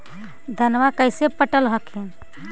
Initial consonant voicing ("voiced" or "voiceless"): voiced